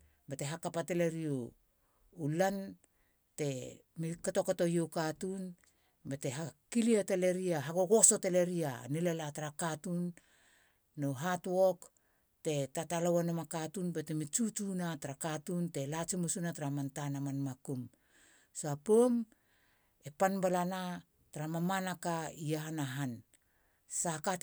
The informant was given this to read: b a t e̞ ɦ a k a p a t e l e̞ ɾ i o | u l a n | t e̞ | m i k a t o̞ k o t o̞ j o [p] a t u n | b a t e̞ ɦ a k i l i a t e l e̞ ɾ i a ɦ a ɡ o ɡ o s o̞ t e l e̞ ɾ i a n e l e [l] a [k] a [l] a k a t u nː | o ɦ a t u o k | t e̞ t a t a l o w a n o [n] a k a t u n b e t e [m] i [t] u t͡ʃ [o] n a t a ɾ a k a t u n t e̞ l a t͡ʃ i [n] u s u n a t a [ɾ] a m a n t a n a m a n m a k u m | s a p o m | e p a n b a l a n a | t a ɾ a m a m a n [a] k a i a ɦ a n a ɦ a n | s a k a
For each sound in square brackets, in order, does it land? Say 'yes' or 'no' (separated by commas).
no, yes, no, no, no, yes, no, no, no, yes, yes